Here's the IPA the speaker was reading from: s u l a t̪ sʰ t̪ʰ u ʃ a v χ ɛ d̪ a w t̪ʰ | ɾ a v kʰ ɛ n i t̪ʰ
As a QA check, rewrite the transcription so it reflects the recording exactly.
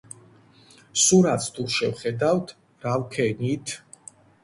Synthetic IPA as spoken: s u ɾ a t̪ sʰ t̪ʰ u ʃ ɛ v χ ɛ d̪ a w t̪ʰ | ɾ a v kʰ ɛ n i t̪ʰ